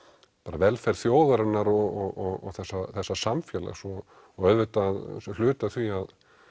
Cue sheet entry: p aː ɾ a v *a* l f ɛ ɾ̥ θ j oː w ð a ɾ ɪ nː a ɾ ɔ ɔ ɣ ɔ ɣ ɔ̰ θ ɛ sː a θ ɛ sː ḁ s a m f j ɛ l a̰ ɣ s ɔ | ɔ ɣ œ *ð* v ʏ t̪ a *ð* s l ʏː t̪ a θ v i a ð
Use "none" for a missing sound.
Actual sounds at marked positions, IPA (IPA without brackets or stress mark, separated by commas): ɛ, ð, ð